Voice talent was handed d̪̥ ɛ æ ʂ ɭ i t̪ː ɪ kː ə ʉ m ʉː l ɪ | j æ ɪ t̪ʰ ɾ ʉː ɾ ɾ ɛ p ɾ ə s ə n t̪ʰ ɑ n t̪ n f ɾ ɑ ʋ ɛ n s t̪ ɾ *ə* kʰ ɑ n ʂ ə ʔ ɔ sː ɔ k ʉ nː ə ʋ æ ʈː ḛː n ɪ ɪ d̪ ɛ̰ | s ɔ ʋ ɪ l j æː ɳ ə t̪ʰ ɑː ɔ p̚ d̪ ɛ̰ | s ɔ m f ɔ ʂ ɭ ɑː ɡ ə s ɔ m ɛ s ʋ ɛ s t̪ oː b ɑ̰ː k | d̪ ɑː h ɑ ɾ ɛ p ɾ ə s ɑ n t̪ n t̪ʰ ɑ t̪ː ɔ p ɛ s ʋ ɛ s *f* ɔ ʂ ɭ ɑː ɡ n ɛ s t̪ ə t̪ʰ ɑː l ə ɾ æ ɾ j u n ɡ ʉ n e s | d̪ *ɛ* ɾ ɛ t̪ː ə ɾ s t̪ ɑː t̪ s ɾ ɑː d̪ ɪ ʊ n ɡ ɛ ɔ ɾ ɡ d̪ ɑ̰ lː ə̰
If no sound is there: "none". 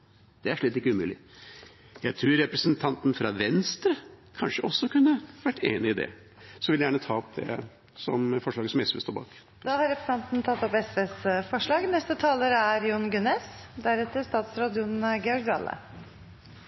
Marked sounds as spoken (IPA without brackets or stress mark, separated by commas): ə, f, æ